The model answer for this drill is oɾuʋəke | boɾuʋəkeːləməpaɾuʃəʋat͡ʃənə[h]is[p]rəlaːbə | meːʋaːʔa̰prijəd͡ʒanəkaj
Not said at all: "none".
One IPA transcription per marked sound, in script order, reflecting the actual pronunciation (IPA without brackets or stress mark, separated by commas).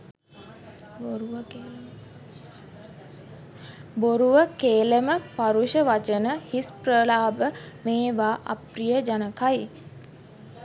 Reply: h, p